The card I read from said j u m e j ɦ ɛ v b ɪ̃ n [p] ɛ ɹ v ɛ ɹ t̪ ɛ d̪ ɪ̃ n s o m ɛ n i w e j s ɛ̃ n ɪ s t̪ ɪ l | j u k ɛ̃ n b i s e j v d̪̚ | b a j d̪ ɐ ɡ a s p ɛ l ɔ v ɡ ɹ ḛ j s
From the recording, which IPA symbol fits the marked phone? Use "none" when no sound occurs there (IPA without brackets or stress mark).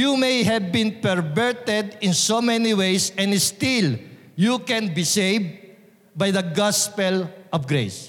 p